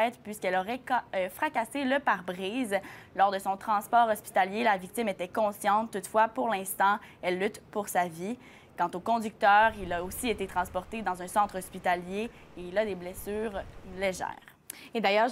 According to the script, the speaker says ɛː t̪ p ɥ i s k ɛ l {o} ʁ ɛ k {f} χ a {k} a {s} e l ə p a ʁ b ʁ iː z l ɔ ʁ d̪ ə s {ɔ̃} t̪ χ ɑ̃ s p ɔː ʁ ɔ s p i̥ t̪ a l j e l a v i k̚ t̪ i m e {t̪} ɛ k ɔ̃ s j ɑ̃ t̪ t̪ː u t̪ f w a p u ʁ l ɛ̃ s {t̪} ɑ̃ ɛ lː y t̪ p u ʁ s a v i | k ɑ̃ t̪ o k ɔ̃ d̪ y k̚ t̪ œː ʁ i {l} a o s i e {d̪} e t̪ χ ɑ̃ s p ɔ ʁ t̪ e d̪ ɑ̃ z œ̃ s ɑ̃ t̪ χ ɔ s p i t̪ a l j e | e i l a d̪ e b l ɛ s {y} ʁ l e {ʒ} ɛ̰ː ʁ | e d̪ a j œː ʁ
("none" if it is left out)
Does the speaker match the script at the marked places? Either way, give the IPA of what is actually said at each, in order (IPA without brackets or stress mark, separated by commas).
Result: ɔ, f, k, s, ɔ̃, t̪, t̪, l, t̪, yː, ʒ